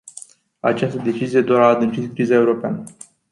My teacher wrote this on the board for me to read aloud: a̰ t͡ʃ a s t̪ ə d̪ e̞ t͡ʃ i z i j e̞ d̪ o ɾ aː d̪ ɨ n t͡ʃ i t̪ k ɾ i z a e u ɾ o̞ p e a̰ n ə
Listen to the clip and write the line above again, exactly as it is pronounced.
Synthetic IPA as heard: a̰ t͡ʃ a s t̪ ə d̪ e̞ t͡ʃ i z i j e̞ d̪ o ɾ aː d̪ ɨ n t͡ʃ i t̪ k ɾ i z a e u ɾ o̞ p e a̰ n ə